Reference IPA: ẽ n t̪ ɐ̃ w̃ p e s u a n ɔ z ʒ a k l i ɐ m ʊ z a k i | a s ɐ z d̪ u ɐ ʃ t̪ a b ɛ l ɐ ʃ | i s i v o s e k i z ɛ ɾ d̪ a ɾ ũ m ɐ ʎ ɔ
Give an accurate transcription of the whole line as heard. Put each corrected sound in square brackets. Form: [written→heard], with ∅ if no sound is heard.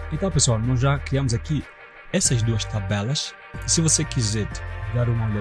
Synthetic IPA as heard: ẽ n t̪ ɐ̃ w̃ p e s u a n ɔ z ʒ a k [l→ɾ] i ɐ m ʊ z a k i | [a→ɛ] s ɐ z d̪ u ɐ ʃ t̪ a b ɛ l ɐ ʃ | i s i v o s e k i z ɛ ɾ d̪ a ɾ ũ m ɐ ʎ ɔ